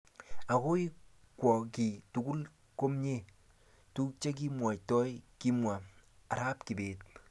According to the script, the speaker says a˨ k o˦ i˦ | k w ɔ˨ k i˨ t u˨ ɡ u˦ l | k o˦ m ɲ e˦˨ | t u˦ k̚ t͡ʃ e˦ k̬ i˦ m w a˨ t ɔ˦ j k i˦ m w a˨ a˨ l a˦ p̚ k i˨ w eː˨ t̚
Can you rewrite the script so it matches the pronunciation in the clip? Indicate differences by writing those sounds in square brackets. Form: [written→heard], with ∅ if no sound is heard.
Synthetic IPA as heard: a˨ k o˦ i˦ | k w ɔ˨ k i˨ t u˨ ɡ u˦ l | k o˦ m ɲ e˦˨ | t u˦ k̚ t͡ʃ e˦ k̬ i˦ m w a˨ t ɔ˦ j k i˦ m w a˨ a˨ [l→ɾ] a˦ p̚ k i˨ [w→b] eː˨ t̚